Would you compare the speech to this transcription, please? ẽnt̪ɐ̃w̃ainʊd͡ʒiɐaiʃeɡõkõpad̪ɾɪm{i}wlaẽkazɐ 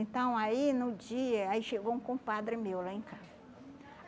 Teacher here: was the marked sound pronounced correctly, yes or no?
no